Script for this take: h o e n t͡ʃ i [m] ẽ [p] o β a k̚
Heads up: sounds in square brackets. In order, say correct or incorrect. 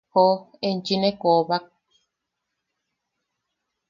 incorrect: n, incorrect: k

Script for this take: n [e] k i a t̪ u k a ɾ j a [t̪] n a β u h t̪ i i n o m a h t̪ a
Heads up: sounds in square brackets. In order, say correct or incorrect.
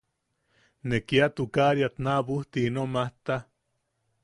correct, correct

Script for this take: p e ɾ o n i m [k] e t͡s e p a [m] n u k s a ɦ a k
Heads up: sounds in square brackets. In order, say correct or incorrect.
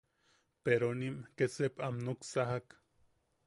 correct, correct

